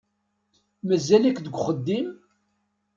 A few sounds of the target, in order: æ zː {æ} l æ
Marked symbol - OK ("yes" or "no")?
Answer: yes